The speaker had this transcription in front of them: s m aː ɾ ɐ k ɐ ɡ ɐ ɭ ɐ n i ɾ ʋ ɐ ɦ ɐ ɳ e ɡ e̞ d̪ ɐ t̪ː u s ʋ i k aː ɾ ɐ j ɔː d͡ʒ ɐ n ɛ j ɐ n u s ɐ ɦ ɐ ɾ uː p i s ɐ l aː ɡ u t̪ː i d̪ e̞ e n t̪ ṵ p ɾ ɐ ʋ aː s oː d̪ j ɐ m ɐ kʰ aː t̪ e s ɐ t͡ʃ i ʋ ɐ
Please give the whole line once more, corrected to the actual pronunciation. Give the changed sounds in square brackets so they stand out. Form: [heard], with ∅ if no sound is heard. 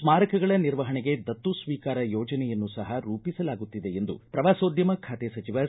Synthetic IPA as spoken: s m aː ɾ ɐ k ɐ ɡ ɐ ɭ ɐ n i ɾ ʋ ɐ ɦ ɐ ɳ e ɡ e̞ d̪ ɐ t̪ː u s ʋ [iː] k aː ɾ ɐ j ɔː d͡ʒ ɐ n ɛ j ɐ [nː] u s ɐ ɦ ɐ ɾ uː p i s ɐ l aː ɡ u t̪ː i d̪ e̞ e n [d̪] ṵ p ɾ ɐ ʋ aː s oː d̪ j ɐ m ɐ kʰ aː t̪ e s ɐ t͡ʃ i ʋ ɐ